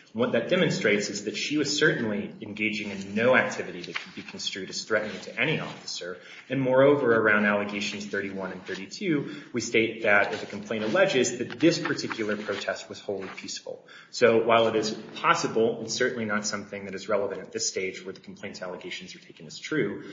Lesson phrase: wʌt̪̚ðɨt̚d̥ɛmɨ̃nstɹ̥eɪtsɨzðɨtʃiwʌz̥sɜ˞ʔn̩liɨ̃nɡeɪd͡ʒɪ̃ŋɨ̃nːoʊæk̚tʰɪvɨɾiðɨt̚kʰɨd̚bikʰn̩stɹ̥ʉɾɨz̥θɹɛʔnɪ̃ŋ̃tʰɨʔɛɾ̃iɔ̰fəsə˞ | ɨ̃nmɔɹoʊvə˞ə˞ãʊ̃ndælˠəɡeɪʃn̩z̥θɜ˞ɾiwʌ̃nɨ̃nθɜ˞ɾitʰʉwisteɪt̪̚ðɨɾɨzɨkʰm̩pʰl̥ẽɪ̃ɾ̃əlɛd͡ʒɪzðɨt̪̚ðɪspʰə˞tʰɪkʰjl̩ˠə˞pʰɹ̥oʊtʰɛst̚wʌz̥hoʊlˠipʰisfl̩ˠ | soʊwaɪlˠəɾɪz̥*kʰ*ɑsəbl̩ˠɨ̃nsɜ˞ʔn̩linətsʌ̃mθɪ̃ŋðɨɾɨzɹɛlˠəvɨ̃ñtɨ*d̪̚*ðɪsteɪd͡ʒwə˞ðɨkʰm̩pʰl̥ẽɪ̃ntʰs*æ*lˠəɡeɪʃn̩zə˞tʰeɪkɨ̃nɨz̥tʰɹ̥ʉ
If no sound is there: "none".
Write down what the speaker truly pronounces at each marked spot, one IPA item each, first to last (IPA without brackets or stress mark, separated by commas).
pʰ, t̪̚, æ